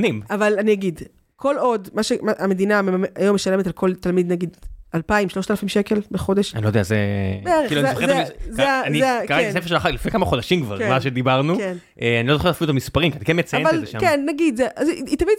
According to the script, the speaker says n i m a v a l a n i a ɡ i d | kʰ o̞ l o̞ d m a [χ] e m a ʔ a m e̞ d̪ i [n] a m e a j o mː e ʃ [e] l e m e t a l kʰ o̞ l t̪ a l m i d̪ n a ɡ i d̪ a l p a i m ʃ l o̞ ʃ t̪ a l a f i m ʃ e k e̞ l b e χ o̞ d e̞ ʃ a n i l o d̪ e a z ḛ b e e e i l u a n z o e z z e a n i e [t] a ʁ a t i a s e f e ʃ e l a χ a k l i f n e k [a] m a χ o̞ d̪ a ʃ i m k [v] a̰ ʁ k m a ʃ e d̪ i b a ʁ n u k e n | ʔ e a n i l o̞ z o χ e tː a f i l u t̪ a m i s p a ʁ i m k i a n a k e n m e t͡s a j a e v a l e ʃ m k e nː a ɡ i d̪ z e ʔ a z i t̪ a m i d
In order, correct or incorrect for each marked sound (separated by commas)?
incorrect, correct, incorrect, incorrect, correct, correct